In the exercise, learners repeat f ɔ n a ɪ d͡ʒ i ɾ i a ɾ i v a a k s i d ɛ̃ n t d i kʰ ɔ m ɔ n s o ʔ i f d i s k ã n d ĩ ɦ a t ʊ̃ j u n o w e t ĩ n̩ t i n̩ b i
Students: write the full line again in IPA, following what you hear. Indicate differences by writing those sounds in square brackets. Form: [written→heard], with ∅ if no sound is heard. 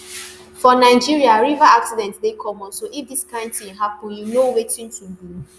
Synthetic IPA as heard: f ɔ n a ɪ d͡ʒ i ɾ i a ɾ i v a a k s i d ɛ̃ n t d [i→e] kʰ ɔ m ɔ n s o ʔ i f d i s k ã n [d→t] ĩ ɦ a [t→p] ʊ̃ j u n o w e t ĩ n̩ t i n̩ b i